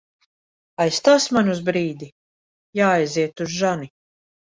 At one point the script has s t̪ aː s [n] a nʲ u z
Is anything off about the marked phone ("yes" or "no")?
yes